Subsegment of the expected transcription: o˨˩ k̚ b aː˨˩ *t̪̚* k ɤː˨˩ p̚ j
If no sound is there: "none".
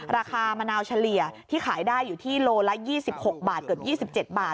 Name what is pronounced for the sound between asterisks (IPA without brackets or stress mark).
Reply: t̪̚